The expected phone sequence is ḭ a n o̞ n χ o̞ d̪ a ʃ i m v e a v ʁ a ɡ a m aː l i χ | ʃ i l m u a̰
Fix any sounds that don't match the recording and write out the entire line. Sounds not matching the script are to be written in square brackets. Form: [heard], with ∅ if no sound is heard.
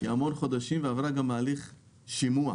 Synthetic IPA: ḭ a [m] o̞ n χ o̞ d̪ a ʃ i m v e a v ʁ a ɡ a m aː l i χ | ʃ i [∅] m u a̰